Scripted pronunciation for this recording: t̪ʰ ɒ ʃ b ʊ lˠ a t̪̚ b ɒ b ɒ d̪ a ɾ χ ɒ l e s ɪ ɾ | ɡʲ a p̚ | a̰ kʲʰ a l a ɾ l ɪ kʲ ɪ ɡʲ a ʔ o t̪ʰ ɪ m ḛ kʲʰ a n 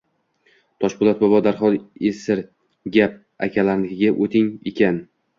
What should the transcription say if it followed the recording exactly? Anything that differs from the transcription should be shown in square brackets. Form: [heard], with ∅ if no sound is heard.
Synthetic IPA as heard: t̪ʰ ɒ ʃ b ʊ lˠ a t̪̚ b ɒ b ɒ d̪ a ɾ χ ɒ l e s ɪ ɾ | ɡʲ a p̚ | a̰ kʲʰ a l a ɾ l ɪ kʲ ɪ ɡʲ a ʔ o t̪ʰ ɪ [ŋ] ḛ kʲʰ a n